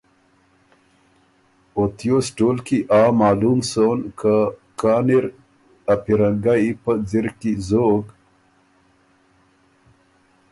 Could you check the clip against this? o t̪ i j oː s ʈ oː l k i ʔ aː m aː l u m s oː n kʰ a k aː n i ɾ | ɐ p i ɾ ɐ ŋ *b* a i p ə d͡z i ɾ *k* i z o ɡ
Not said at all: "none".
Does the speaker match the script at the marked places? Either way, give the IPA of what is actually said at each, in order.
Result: ɡ, k

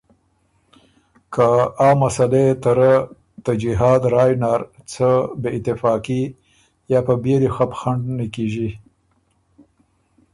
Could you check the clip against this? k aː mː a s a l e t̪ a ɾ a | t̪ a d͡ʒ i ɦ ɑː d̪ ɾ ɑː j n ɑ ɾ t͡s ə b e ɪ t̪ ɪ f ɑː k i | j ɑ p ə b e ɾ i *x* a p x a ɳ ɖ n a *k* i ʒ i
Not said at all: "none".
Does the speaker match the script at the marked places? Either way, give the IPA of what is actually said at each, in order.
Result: x, k

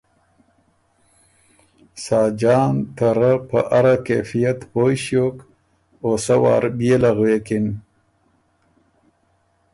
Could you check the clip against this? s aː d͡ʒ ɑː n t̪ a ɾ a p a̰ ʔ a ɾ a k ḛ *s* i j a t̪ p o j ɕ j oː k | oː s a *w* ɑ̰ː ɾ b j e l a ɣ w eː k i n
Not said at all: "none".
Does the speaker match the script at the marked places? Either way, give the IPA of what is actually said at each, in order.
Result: f, w

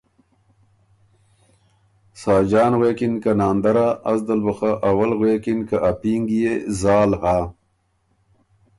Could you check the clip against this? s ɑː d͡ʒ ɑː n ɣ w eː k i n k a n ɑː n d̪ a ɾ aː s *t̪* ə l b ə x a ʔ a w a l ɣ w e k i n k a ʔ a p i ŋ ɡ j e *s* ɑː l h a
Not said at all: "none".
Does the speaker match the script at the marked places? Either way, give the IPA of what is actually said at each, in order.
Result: d̪, z

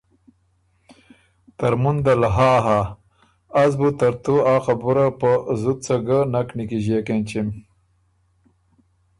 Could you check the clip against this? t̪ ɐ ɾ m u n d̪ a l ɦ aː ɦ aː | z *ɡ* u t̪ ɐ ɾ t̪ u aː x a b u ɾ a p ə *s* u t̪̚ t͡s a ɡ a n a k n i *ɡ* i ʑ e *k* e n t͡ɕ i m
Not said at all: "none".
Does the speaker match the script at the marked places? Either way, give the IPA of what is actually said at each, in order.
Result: b, z, k, k

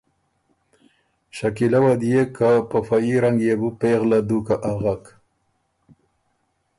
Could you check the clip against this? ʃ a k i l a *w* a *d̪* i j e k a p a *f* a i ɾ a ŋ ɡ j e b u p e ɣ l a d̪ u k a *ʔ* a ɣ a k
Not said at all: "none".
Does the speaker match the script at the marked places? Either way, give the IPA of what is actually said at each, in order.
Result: w, d̪, f, ʔ

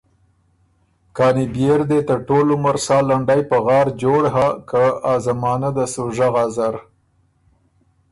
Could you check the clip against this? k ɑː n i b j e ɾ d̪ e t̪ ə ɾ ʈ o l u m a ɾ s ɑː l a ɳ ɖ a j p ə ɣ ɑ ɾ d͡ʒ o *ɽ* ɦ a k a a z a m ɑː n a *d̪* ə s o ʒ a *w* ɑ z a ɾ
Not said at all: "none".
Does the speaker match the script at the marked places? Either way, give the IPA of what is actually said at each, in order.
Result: ɽ, d̪, ɣ

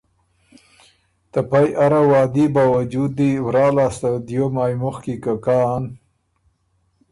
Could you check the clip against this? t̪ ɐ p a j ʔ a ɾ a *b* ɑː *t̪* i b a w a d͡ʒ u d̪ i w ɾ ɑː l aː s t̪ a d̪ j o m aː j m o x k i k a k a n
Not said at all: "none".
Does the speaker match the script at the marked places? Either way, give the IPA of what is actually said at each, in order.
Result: w, d̪

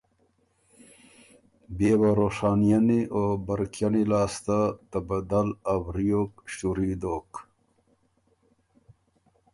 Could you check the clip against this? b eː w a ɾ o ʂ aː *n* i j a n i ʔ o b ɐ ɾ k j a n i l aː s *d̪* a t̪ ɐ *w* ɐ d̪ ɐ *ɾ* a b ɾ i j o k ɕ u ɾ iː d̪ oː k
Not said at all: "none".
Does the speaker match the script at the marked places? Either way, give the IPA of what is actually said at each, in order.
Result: n, t̪, b, l

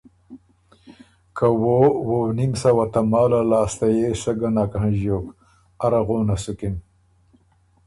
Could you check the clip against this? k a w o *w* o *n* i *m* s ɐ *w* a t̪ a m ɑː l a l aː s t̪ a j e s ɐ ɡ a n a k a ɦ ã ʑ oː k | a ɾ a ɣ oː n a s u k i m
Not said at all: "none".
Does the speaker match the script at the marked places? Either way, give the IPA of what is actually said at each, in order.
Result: w, n, m, w

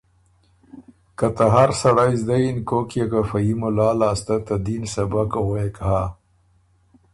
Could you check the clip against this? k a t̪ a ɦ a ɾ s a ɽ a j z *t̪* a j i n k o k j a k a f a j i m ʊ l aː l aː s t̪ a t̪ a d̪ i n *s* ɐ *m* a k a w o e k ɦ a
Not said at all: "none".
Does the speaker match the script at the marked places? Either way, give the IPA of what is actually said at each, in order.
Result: d̪, s, b

